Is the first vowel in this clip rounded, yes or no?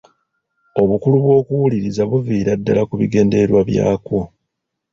yes